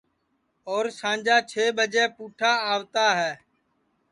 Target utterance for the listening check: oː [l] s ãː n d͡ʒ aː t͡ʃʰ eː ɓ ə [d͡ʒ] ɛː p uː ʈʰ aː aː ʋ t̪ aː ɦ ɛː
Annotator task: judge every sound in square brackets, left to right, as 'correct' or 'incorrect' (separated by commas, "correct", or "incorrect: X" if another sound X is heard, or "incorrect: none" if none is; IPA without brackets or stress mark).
incorrect: ɾ, correct